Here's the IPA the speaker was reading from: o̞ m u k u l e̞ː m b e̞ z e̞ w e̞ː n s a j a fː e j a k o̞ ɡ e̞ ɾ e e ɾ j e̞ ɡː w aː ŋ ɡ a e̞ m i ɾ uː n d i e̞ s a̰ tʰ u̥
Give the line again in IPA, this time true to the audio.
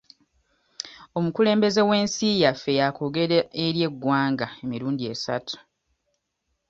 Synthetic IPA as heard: o̞ m u k u l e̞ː m b e̞ z e̞ w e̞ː n s i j a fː e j a k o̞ ɡ e̞ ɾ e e ɾ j e̞ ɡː w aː ŋ ɡ a e̞ m i ɾ uː n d i e̞ s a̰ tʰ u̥